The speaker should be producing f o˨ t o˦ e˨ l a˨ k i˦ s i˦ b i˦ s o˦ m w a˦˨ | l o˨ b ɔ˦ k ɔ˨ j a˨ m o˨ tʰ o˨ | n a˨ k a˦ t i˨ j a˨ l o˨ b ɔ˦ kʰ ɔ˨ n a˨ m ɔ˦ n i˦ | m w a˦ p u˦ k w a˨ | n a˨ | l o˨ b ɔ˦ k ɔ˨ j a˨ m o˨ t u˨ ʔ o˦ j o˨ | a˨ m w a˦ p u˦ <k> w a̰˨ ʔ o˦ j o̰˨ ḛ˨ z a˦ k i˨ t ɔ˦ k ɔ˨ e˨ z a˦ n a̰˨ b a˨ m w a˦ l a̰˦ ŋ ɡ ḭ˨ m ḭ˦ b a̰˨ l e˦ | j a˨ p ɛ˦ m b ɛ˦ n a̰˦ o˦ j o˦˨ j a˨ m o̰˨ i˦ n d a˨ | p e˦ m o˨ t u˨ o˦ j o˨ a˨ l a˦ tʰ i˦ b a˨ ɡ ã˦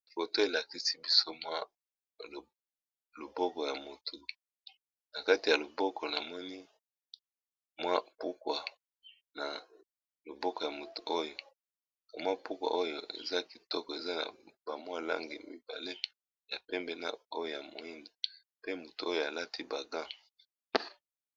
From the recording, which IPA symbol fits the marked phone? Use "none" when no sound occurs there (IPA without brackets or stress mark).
k